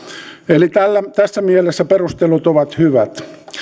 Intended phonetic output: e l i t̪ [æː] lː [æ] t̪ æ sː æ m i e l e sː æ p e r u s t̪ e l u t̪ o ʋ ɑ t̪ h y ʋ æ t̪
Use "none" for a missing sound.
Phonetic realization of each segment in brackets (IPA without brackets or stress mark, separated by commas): æ, æ